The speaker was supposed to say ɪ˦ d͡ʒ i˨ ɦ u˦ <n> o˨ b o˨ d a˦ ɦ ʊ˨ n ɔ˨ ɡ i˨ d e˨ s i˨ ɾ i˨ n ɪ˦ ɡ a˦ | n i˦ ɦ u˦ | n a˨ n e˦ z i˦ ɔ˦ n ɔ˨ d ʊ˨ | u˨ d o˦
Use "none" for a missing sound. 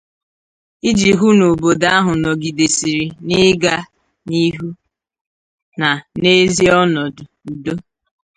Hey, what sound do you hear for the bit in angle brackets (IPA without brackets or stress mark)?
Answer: n